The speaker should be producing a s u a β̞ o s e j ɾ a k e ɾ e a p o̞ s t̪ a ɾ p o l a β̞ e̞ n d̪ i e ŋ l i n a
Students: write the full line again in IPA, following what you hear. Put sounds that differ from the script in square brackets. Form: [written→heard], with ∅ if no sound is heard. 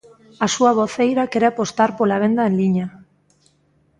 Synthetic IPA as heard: a s u a β̞ o [s→θ] e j ɾ a k e ɾ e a p o̞ s t̪ a ɾ p o l a β̞ e̞ n d̪ [i→a] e [ŋ→n] l i [n→ɲ] a